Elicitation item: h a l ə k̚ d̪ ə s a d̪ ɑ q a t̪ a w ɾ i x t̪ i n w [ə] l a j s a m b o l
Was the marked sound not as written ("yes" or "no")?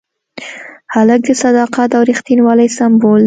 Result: yes